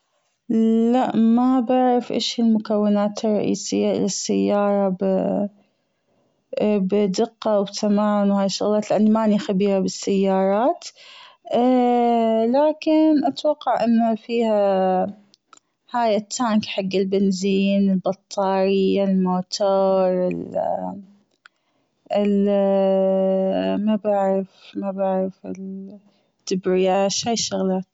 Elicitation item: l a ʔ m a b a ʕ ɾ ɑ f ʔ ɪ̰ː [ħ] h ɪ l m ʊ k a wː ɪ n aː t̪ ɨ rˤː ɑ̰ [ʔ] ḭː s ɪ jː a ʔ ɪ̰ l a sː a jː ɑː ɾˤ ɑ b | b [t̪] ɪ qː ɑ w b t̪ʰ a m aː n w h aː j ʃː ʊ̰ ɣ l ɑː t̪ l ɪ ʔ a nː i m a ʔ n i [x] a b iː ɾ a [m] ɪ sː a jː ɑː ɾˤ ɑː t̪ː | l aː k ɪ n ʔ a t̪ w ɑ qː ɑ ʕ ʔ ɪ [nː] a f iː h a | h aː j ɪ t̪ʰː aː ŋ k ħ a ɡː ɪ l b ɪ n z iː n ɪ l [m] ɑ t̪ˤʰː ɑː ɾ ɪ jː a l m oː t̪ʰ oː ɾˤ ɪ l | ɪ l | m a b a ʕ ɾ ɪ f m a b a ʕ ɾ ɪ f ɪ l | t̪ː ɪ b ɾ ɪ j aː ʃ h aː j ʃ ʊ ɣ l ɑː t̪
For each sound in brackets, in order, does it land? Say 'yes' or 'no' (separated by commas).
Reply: no, yes, no, yes, no, yes, no